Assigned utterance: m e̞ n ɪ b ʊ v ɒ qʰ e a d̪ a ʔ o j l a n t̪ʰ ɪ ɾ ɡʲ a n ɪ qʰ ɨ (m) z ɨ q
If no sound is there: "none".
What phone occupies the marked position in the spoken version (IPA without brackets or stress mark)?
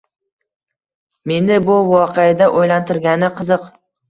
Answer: none